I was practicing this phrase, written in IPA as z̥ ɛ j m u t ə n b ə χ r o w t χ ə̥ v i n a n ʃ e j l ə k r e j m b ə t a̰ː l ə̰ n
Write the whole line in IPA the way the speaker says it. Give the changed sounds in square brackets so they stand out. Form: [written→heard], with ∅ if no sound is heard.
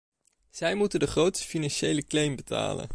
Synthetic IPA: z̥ ɛ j m u t ə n [b→d] ə χ r o w t [χ→s] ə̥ [v→f] i n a n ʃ e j l ə k [r→l] e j m b ə t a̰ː l ə̰ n